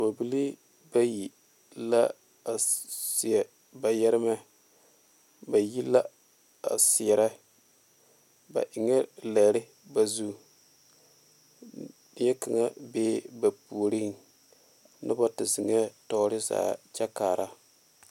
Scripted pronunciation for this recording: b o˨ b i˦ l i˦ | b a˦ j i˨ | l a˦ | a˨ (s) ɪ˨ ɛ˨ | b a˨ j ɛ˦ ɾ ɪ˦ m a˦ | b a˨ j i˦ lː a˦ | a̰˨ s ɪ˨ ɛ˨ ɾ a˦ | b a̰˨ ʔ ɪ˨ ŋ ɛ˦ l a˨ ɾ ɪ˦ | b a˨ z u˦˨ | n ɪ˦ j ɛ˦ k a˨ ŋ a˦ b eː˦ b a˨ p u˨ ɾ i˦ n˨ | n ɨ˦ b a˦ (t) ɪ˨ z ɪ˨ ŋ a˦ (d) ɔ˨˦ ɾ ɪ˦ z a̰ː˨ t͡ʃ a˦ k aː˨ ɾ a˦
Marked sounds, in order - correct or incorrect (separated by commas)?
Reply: correct, correct, incorrect